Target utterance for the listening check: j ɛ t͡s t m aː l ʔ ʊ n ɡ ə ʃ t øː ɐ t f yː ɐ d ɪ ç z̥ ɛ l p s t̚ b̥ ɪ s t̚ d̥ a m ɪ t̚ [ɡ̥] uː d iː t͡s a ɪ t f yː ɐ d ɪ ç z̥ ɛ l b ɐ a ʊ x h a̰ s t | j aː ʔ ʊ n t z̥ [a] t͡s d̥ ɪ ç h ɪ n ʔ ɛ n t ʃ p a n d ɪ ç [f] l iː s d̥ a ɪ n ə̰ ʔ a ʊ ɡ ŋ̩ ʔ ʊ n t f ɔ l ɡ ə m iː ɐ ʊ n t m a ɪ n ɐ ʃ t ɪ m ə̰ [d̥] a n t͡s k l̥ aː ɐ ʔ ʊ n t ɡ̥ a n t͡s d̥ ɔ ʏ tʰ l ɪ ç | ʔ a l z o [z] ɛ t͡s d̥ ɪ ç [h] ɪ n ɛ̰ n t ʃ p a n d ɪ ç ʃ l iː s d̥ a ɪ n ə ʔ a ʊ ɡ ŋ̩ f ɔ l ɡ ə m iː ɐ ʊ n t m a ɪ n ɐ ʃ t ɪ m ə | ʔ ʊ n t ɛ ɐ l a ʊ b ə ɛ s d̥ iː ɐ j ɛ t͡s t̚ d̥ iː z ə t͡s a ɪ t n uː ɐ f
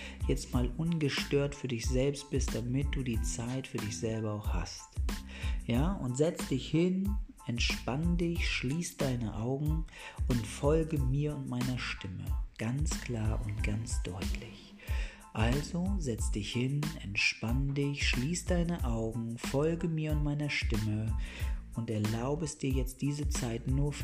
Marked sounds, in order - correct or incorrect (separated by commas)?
incorrect, incorrect, incorrect, incorrect, correct, correct